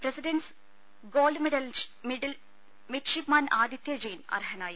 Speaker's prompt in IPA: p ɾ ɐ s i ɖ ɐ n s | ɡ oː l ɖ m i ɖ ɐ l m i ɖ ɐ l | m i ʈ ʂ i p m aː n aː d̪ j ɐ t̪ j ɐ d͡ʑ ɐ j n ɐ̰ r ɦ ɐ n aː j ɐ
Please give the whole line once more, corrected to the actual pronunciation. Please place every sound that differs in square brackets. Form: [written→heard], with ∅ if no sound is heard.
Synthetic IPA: p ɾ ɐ s i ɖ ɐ n s | ɡ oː l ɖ m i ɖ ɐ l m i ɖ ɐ l | m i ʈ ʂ i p m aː n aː d̪ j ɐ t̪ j ɐ d͡ʑ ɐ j n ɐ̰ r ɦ ɐ n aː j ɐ

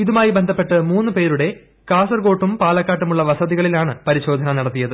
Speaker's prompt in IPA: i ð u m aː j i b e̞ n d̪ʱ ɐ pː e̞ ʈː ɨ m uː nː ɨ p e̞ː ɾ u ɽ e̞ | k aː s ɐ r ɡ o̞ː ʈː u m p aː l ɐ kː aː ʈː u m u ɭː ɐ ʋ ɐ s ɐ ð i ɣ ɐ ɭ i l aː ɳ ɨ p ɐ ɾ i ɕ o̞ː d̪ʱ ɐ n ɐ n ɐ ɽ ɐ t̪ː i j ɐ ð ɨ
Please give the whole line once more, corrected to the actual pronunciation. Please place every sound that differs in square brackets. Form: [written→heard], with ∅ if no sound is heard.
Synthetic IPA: i ð u m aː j i b e̞ n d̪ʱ ɐ pː e̞ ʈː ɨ m uː nː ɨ p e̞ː ɾ u ɽ e̞ | k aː s ɐ r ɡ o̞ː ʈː u m p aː l ɐ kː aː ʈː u m u ɭː ɐ ʋ ɐ s ɐ ð i ɣ ɐ ɭ i l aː ɳ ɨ p ɐ ɾ i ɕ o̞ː d̪ʱ ɐ n ɐ n ɐ ɽ ɐ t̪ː i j ɐ ð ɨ

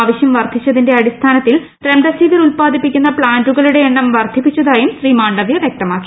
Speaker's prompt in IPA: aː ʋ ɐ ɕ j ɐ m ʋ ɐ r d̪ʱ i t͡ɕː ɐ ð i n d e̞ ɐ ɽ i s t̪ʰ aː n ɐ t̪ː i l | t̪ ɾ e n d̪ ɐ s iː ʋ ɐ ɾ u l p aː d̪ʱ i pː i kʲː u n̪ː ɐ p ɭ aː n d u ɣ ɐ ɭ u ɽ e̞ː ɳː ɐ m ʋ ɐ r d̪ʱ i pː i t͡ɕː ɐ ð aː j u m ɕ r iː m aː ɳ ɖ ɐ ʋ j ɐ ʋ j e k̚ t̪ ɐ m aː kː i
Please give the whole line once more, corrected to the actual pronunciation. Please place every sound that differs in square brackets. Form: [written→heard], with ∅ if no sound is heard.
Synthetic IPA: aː ʋ ɐ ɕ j ɐ m ʋ ɐ r d̪ʱ i t͡ɕː ɐ ð i n d e̞ ɐ ɽ i s t̪ʰ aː n ɐ t̪ː i l | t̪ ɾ e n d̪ ɐ s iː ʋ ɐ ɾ u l p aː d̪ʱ i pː i kʲː u n̪ː ɐ p ɭ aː n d u ɣ ɐ ɭ u ɽ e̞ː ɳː ɐ m ʋ ɐ r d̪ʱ i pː i t͡ɕː ɐ ð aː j u m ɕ r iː m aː ɳ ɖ ɐ ʋ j ɐ ʋ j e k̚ t̪ ɐ m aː kː i

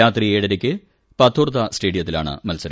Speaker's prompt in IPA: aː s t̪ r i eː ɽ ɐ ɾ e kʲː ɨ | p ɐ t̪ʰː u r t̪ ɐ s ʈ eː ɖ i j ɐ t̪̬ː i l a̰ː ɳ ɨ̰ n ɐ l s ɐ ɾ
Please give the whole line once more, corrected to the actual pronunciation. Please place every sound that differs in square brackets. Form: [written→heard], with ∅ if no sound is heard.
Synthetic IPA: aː [s→∅] t̪ r i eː ɽ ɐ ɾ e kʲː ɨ | p ɐ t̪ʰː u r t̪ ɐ s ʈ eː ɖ i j ɐ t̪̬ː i l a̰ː ɳ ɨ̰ [n→m] ɐ l s ɐ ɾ

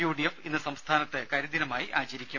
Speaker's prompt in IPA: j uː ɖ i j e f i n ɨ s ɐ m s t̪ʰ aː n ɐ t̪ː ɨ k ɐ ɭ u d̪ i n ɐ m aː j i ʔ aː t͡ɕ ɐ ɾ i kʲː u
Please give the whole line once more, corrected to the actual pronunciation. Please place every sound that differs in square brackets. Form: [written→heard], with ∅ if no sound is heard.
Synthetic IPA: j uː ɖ i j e f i [n→nː] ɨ s ɐ m s t̪ʰ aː n ɐ t̪ː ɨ k ɐ [ɭ→ɾ] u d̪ i n ɐ m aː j i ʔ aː t͡ɕ ɐ ɾ i kʲː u

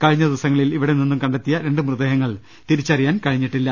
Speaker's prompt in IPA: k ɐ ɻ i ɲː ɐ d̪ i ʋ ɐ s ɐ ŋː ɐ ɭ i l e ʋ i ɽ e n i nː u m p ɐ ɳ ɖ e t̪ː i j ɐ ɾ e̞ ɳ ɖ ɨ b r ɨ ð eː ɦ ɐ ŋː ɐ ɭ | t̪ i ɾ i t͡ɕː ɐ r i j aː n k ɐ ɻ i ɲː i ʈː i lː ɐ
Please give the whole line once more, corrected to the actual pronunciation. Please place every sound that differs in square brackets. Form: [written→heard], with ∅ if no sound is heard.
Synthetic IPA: k ɐ ɻ i ɲː ɐ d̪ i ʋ ɐ s ɐ ŋː ɐ ɭ i l [e→i] ʋ i ɽ e n i nː u m [p→k] ɐ ɳ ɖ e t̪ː i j ɐ ɾ e̞ ɳ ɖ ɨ [b→m] r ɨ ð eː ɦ ɐ ŋː ɐ ɭ | t̪ i ɾ i t͡ɕː ɐ r i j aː n k ɐ ɻ i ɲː i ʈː i lː ɐ

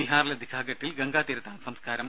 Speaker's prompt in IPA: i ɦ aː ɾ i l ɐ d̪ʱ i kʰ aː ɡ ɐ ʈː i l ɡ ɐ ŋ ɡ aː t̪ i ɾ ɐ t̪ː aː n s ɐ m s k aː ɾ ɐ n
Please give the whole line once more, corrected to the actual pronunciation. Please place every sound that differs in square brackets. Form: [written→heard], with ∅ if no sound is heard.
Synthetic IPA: i ɦ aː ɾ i l ɐ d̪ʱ i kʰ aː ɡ ɐ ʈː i l ɡ ɐ ŋ ɡ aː t̪ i ɾ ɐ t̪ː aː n s ɐ m s k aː ɾ ɐ [n→m]

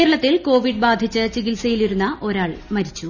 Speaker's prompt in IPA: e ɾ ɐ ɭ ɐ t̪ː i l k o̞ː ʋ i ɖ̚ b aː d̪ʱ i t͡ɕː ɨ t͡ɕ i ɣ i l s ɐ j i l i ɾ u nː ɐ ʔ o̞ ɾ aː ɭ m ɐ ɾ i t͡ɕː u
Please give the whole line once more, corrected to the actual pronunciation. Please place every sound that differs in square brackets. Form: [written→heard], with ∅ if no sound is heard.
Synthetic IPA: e ɾ ɐ ɭ ɐ t̪ː i l k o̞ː ʋ i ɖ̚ b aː d̪ʱ i t͡ɕː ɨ t͡ɕ i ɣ i l s ɐ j i l i ɾ u nː ɐ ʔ o̞ ɾ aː ɭ m ɐ ɾ i t͡ɕː u

